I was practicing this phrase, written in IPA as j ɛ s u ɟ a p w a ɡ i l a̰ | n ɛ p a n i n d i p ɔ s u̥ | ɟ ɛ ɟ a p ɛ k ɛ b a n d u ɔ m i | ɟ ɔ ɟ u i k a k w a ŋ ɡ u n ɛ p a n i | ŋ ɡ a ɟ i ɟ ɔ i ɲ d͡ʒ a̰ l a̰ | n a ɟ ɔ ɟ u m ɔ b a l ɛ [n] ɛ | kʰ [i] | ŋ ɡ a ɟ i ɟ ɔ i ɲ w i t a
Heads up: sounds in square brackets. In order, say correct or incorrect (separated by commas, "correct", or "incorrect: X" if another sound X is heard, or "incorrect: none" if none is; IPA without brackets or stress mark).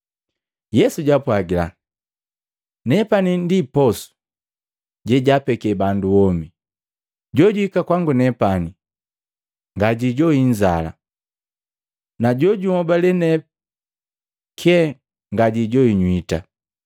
correct, incorrect: ɛ